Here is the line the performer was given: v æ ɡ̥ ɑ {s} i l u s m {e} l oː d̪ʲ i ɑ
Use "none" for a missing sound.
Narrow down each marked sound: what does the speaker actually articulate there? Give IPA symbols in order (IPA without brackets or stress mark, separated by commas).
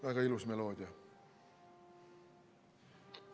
none, e